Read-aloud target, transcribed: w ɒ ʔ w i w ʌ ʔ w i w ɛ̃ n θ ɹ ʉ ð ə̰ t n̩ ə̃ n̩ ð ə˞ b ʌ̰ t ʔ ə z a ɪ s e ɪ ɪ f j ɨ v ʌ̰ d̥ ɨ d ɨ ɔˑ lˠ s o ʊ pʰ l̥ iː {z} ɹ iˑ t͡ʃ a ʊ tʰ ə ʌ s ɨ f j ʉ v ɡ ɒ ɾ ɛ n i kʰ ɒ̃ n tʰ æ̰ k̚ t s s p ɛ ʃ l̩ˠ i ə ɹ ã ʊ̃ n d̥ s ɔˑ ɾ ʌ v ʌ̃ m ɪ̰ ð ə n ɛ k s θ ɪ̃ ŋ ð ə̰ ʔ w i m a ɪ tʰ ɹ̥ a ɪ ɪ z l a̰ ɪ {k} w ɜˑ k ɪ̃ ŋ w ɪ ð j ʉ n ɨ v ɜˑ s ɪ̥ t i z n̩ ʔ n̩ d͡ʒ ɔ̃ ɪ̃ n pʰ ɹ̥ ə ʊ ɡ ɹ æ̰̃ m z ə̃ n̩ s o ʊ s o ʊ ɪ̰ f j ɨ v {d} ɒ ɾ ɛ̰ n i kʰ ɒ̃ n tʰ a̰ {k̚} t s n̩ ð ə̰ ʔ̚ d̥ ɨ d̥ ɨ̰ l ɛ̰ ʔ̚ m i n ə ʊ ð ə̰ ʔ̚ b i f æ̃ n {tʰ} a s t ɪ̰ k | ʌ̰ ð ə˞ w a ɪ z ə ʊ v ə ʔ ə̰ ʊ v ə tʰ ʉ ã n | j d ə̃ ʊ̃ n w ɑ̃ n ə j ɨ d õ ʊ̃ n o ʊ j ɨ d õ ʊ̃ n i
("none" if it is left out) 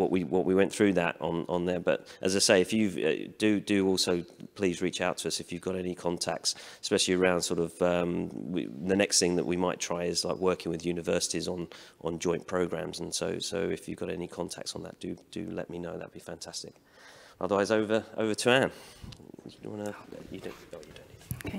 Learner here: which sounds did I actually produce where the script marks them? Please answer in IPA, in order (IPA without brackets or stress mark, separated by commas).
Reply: z, k, ɡ, k̚, tʰ